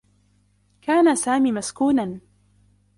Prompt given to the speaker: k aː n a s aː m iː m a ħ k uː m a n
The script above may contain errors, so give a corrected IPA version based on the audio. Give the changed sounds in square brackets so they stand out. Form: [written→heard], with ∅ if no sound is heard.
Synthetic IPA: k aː n a s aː m iː m a [ħ→s] k uː [m→n] a n